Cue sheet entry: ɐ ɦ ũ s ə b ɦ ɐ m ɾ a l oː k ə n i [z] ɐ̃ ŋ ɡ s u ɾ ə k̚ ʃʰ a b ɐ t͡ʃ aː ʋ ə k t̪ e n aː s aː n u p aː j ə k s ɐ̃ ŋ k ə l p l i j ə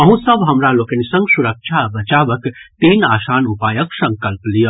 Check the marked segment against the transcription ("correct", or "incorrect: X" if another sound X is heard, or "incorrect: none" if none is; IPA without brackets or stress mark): incorrect: s